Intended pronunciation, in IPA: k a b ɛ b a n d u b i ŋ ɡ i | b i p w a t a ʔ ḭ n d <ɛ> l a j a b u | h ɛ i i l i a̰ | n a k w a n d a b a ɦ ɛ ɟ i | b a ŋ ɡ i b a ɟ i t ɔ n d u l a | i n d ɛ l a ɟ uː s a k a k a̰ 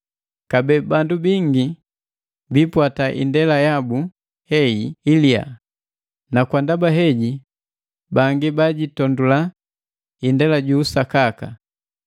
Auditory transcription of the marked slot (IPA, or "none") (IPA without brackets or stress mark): ɛ